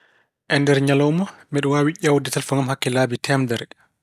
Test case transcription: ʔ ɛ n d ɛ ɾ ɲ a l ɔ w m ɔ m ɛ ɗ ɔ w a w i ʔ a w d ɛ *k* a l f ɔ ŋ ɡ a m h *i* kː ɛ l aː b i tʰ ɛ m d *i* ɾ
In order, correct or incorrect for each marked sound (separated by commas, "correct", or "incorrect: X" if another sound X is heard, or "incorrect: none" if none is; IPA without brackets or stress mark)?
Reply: incorrect: t, incorrect: a, incorrect: ɛ